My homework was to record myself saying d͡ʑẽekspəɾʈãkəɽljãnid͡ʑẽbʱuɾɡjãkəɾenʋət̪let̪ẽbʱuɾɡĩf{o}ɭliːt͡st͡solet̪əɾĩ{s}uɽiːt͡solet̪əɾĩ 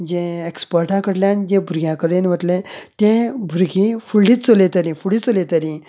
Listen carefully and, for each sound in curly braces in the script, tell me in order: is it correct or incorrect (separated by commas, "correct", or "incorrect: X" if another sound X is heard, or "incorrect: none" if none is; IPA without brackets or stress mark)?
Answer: incorrect: u, incorrect: f